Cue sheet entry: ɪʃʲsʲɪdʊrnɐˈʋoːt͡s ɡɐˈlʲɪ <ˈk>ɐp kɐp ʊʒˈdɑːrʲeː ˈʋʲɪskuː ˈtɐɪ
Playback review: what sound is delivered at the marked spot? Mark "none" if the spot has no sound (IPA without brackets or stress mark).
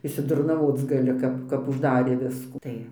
k